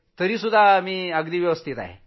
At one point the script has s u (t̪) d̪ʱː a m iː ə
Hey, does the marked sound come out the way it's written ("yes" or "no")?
no